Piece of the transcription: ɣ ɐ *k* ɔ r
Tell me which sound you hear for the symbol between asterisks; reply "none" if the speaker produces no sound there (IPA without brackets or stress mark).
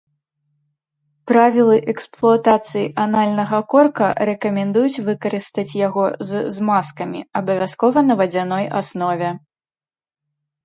k